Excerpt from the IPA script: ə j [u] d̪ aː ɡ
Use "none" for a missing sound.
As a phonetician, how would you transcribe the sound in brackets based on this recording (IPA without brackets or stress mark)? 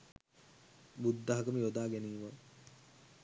o